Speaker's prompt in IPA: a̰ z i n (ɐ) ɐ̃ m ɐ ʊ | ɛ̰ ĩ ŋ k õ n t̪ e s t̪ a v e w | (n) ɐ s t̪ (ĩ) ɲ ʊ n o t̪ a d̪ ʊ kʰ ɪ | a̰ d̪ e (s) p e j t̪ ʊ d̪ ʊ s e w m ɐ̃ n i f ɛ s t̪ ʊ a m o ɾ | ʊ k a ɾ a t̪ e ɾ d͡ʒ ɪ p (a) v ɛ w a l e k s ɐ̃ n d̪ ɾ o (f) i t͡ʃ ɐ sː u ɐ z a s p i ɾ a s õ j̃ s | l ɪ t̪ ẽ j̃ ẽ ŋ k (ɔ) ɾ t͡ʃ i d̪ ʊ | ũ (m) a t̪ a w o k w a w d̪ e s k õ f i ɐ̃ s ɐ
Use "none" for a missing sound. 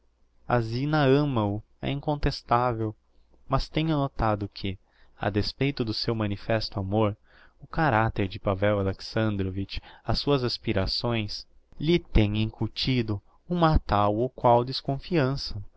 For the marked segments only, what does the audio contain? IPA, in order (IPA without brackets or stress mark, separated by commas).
ɐ, m, ẽ, s, a, v, u, m